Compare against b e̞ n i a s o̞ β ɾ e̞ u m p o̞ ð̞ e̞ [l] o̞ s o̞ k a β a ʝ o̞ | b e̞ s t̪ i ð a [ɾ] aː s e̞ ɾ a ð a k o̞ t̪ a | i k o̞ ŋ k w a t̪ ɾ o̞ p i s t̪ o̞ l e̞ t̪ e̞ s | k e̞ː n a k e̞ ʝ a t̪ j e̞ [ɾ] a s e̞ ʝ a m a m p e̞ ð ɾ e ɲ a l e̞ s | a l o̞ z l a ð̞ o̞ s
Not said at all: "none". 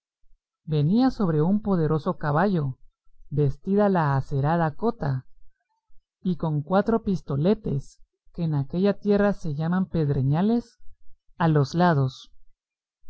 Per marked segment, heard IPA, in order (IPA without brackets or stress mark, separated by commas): ɾ, l, r